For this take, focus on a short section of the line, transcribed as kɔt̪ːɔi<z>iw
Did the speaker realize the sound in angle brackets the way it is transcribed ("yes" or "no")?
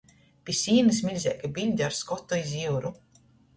yes